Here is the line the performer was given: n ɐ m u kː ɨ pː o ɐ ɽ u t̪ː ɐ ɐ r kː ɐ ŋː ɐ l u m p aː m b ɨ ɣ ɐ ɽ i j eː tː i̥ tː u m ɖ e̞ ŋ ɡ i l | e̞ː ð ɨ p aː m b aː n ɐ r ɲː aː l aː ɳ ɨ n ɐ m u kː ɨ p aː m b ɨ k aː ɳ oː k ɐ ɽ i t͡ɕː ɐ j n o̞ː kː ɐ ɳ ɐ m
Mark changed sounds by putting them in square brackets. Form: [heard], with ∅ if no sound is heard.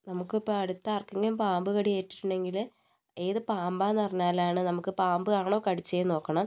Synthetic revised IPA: n ɐ m u kː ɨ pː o ɐ ɽ u t̪ː ɐ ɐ r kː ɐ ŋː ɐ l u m p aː m b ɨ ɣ ɐ ɽ i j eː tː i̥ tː u [ɳ] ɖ e̞ ŋ ɡ i l | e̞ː ð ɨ p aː m b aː n ɐ r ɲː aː l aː ɳ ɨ n ɐ m u kː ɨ p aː m b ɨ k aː ɳ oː k ɐ ɽ i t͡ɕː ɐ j n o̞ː kː ɐ ɳ ɐ m